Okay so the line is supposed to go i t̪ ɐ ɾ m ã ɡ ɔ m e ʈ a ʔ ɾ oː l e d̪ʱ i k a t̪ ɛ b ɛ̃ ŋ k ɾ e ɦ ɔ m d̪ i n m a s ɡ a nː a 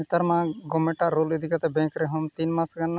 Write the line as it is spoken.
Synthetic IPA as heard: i t̪ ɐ ɾ m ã ɡ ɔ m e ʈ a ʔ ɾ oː l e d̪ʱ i k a t̪ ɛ b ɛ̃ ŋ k ɾ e ɦ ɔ m t̪ i n m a s ɡ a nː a